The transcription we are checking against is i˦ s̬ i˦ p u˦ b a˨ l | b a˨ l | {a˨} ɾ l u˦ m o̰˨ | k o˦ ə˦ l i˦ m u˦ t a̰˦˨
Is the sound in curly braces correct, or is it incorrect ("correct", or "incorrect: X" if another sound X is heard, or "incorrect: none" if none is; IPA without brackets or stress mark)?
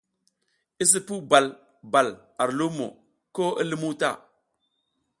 correct